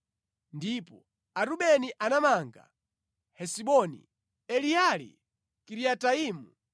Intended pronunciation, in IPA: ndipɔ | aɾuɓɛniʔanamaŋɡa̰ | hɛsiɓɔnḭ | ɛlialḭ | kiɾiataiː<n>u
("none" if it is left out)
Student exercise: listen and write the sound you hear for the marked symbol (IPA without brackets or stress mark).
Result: m